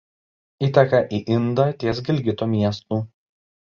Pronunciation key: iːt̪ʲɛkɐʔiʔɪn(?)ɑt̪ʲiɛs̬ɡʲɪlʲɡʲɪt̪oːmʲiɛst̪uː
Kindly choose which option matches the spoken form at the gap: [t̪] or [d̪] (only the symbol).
d̪